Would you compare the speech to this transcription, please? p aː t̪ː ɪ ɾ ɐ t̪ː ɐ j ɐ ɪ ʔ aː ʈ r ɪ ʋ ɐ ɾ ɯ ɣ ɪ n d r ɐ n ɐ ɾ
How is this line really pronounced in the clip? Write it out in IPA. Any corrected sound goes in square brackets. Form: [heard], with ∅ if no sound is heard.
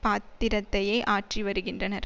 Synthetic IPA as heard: p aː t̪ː ɪ ɾ ɐ t̪ː ɐ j ɐ ɪ ʔ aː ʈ r [i] ʋ ɐ ɾ ɯ ɣ ɪ n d r ɐ n ɐ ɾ